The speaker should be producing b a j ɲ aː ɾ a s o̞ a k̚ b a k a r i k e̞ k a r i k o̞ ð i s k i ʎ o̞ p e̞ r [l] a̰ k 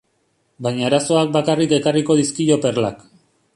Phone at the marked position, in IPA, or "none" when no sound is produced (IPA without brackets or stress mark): l